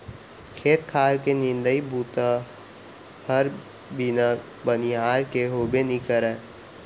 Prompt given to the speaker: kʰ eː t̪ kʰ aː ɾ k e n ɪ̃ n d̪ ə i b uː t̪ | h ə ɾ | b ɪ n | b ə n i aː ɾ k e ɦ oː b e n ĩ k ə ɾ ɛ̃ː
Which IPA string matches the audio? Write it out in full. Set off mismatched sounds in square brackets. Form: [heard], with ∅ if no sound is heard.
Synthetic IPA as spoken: kʰ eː t̪ kʰ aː ɾ k e n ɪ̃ n d̪ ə i b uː t̪ | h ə ɾ | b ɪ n | b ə n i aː ɾ k e ɦ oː b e n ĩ k ə ɾ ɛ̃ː